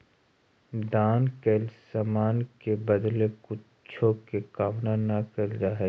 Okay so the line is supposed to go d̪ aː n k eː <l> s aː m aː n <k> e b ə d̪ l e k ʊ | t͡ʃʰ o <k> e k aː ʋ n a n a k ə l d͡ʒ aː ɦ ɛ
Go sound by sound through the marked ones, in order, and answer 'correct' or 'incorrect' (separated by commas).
correct, correct, correct